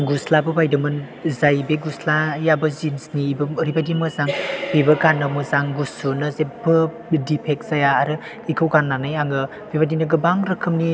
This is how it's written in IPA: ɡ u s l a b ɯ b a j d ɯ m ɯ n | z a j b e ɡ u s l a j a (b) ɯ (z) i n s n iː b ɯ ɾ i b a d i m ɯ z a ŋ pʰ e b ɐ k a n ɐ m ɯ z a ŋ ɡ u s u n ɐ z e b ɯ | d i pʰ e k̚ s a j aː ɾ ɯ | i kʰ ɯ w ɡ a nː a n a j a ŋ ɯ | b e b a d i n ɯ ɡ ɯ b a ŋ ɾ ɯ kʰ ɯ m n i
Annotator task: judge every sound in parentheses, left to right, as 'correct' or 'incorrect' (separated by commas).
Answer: correct, correct